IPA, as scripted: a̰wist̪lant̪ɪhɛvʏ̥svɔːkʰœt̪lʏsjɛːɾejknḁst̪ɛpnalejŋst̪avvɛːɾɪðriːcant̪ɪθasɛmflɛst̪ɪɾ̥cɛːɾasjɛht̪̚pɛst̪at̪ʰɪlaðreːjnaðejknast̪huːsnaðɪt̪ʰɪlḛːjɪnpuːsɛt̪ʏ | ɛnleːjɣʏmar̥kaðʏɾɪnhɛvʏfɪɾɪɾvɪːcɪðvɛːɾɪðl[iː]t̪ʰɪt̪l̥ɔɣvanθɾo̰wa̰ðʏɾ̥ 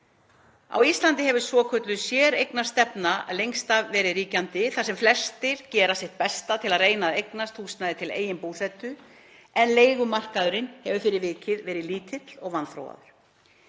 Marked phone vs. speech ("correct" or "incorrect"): correct